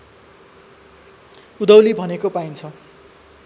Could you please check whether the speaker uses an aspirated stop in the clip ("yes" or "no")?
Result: yes